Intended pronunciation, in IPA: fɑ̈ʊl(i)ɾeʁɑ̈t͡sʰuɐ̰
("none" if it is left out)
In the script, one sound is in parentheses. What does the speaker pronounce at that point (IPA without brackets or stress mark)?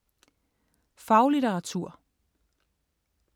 i